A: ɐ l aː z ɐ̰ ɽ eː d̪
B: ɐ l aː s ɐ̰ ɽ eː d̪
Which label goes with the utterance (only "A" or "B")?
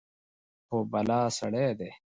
B